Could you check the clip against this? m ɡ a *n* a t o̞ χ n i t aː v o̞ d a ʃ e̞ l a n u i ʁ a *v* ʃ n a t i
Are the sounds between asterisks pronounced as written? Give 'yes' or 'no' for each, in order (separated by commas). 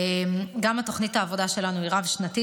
no, yes